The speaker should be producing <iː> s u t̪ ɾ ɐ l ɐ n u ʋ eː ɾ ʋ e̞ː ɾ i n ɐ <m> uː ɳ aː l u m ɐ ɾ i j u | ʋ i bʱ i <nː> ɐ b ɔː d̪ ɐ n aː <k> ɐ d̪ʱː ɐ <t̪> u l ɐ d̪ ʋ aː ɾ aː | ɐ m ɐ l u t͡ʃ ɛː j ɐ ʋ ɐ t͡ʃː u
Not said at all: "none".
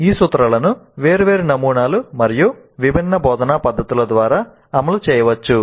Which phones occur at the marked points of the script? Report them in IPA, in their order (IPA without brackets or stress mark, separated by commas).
iː, m, nː, p, t̪